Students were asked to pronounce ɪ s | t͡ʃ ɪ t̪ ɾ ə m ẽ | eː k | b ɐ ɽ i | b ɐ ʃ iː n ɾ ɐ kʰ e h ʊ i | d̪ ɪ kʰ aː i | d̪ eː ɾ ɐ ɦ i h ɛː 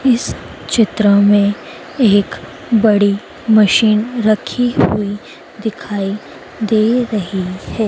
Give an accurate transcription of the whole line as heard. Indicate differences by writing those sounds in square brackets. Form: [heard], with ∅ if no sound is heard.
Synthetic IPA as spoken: ɪ s | t͡ʃ ɪ t̪ ɾ ə m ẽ | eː k | b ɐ ɽ i | [m] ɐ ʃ iː n ɾ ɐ kʰ [i] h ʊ i | d̪ ɪ kʰ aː i | d̪ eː ɾ ɐ ɦ i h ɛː